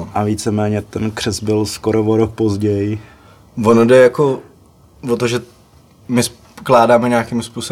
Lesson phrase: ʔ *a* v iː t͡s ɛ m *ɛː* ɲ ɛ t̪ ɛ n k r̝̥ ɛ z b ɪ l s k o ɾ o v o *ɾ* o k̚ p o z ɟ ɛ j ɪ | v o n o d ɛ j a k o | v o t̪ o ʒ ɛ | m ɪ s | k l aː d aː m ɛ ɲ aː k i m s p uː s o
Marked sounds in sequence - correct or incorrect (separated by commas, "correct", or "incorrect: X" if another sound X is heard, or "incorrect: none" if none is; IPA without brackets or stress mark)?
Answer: correct, correct, correct